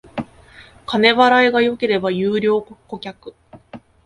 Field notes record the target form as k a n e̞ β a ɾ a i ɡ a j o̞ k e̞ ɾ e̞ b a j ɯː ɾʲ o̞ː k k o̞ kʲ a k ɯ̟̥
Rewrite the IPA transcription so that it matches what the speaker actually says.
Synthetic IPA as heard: k a n e̞ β a ɾ a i ɡ a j o̞ k e̞ ɾ e̞ b a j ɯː ɾʲ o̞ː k k o̞ kʲ a k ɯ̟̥